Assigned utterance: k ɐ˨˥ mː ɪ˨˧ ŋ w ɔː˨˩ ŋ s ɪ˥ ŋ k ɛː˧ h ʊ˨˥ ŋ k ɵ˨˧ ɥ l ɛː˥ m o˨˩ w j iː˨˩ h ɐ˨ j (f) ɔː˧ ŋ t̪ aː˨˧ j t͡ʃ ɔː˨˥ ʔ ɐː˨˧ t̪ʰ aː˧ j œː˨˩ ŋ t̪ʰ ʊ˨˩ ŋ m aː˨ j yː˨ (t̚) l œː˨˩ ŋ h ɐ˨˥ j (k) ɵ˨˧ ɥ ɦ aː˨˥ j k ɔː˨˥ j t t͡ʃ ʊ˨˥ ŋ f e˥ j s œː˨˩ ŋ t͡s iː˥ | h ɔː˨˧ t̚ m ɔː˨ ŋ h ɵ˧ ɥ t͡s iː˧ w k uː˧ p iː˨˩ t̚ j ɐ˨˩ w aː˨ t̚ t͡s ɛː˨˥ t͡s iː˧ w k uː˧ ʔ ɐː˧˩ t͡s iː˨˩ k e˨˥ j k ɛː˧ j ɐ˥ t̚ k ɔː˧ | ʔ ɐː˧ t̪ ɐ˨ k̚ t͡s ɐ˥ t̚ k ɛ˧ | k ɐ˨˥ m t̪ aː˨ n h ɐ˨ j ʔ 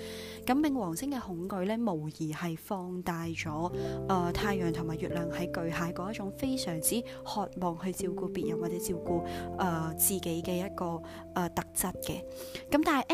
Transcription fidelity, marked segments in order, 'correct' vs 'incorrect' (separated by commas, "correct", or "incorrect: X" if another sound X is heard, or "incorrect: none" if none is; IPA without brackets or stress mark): correct, correct, correct